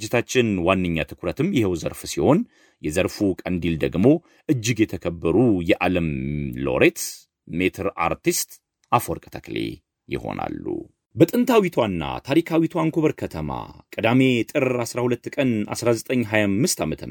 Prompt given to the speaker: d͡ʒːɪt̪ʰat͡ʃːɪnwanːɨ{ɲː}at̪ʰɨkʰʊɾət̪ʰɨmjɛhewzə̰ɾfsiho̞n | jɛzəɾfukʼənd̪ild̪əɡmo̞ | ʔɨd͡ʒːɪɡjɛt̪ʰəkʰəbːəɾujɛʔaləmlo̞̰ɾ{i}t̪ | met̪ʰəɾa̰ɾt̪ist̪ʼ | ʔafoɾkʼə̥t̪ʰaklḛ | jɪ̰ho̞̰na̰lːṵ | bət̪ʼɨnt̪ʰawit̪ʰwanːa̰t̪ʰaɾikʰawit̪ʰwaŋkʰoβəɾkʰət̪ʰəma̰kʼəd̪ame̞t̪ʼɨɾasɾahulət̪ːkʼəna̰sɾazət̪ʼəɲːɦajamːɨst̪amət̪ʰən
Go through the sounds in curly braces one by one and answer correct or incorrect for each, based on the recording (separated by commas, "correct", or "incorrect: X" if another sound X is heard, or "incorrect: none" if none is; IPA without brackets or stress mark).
correct, incorrect: e